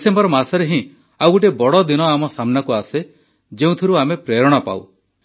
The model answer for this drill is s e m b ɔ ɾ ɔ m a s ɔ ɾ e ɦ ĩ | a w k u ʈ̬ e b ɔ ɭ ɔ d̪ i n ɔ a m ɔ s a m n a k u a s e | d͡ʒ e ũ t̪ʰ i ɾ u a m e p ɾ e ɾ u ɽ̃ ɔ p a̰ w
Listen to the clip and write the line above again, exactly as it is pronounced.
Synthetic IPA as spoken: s e m b ɔ ɾ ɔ m a s ɔ ɾ e ɦ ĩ | a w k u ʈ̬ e b ɔ ɽ ɔ d̪ i n ɔ a m ɔ s a m n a k u a s e | d͡ʒ e ũ t̪ʰ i ɾ u a m e p ɾ e ɾ ɔ ɽ̃ ɔ p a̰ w